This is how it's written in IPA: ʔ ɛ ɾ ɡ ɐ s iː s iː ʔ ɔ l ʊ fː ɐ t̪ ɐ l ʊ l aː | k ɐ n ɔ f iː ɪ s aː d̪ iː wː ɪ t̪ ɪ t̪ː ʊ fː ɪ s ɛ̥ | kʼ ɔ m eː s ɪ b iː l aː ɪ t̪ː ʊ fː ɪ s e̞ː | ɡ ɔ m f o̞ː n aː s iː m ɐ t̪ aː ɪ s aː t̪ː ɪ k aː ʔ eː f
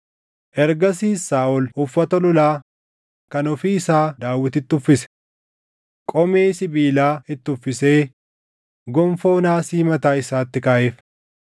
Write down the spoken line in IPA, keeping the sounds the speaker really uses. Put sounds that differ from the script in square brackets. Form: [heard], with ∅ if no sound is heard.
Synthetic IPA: ʔ ɛ ɾ ɡ ɐ s iː s [aː] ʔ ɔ l ʊ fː ɐ t̪ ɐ l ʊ l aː | k ɐ n ɔ f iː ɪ s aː d̪ [aː] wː ɪ t̪ ɪ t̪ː ʊ fː ɪ s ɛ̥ | kʼ ɔ m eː s ɪ b iː l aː ɪ t̪ː ʊ fː ɪ s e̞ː | ɡ ɔ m f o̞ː n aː s iː m ɐ t̪ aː ɪ s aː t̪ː ɪ k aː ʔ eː f

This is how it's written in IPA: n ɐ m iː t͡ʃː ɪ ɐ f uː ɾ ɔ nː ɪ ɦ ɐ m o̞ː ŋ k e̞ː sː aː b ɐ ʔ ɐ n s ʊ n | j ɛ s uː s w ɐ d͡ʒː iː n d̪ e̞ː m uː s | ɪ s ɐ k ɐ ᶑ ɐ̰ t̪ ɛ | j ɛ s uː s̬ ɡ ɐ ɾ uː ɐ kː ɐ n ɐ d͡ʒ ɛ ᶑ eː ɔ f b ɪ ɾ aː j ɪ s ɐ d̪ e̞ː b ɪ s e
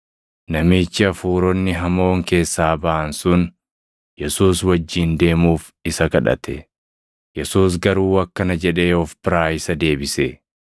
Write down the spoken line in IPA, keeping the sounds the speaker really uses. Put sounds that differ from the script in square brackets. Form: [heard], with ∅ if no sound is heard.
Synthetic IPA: n ɐ m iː t͡ʃː ɪ ɐ f uː ɾ ɔ nː ɪ ɦ ɐ m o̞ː ŋ k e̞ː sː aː b ɐ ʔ ɐ n s ʊ n | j ɛ s uː s w ɐ d͡ʒː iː n d̪ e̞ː m uː [f] | ɪ s ɐ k ɐ ᶑ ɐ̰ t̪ ɛ | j ɛ s uː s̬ ɡ ɐ ɾ uː ɐ kː ɐ n ɐ d͡ʒ ɛ ᶑ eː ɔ f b ɪ ɾ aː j ɪ s ɐ d̪ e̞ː b ɪ s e

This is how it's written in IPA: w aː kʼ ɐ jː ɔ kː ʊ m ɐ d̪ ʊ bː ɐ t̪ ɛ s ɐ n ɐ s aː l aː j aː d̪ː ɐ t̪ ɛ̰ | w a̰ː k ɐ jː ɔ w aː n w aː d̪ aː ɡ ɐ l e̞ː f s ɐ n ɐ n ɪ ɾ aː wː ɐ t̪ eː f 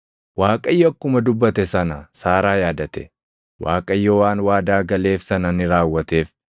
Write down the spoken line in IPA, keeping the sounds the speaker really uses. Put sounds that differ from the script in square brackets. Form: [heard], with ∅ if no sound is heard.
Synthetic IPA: w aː kʼ ɐ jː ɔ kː ʊ m ɐ d̪ ʊ bː ɐ t̪ ɛ s ɐ n ɐ s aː [ɾ] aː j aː [d̪] ɐ t̪ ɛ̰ | w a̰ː [kʼ] ɐ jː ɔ w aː n w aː d̪ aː ɡ ɐ l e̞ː f s ɐ n ɐ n ɪ ɾ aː wː ɐ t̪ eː f

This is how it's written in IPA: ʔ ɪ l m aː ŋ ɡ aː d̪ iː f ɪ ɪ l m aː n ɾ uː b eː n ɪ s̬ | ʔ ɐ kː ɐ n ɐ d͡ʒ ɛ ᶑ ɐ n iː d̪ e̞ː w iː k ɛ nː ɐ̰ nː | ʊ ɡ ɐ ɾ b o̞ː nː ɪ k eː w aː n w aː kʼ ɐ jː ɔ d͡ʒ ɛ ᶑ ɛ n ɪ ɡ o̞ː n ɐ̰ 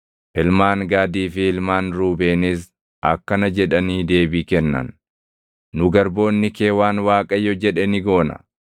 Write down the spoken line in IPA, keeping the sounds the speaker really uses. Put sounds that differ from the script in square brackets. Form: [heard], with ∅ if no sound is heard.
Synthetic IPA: ʔ ɪ l m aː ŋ ɡ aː d̪ iː f ɪ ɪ l m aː n ɾ uː b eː n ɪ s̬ | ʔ ɐ kː ɐ n ɐ d͡ʒ ɛ ᶑ ɐ n iː d̪ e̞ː [b] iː k ɛ nː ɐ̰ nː | ʊ ɡ ɐ ɾ b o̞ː nː ɪ k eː w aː n w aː kʼ ɐ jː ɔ d͡ʒ ɛ ᶑ ɛ n ɪ ɡ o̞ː n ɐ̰

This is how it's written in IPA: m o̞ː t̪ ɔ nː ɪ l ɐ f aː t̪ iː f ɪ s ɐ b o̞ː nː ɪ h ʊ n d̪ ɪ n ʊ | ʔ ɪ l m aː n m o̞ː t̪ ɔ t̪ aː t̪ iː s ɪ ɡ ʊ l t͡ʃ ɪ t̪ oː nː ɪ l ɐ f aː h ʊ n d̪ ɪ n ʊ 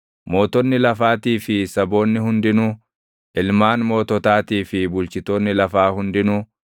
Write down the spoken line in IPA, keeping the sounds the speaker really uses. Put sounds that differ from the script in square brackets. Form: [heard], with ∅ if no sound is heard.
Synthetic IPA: m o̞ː t̪ ɔ nː ɪ l ɐ f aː t̪ iː f ɪ s ɐ b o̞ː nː ɪ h ʊ n d̪ ɪ n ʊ | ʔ ɪ l m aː n m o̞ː t̪ ɔ t̪ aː t̪ iː [f] ɪ [b] ʊ l t͡ʃ ɪ t̪ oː nː ɪ l ɐ f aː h ʊ n d̪ ɪ n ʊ

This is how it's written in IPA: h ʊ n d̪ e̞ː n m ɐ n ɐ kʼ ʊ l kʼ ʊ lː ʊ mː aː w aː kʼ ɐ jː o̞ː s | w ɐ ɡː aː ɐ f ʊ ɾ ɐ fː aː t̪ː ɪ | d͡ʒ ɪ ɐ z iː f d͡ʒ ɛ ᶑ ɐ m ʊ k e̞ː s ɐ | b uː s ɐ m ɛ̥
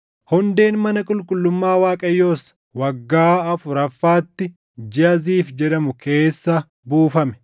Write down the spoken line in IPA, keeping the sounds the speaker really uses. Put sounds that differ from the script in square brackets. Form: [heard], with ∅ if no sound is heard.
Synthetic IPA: h ʊ n d̪ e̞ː n m ɐ n ɐ kʼ ʊ l kʼ ʊ lː ʊ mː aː w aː kʼ ɐ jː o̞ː s | w ɐ ɡː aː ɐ f ʊ ɾ ɐ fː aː t̪ː ɪ | d͡ʒ ɪ ɐ z iː f d͡ʒ ɛ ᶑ ɐ m ʊ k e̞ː [sː] ɐ | b uː [f] ɐ m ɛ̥

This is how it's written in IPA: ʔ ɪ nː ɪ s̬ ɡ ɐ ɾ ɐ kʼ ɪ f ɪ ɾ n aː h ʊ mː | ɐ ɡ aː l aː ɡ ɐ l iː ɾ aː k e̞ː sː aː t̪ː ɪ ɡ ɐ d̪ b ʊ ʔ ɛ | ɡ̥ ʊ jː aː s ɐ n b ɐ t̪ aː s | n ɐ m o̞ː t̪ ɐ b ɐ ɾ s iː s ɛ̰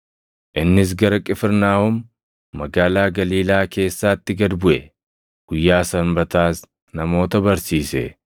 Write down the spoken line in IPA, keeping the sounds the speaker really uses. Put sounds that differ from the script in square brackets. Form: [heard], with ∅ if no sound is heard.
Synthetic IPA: ʔ ɪ nː ɪ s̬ ɡ ɐ ɾ ɐ kʼ ɪ f ɪ ɾ n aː h ʊ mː | ɐ ɡ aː l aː ɡ ɐ l iː [l] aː k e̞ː sː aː t̪ː ɪ ɡ ɐ d̪ b ʊ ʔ ɛ | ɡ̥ ʊ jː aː s ɐ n b ɐ t̪ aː s | n ɐ m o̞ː t̪ ɐ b ɐ ɾ s iː s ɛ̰

